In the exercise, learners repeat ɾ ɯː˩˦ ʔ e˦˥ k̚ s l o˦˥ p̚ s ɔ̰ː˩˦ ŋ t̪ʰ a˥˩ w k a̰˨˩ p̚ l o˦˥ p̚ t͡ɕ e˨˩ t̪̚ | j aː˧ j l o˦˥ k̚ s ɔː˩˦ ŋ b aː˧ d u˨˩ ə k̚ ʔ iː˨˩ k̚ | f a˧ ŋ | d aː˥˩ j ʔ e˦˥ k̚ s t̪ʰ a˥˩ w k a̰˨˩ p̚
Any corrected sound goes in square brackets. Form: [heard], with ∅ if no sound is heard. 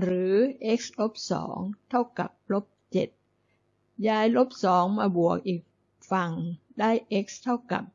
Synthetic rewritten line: ɾ ɯː˩˦ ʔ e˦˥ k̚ s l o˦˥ p̚ s ɔ̰ː˩˦ ŋ t̪ʰ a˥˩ w k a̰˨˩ p̚ l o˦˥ p̚ t͡ɕ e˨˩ t̪̚ | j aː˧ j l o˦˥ [p̚] s ɔː˩˦ ŋ [m] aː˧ [b] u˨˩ ə k̚ ʔ iː˨˩ k̚ | f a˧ ŋ | d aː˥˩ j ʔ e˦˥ k̚ s t̪ʰ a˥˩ w k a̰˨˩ p̚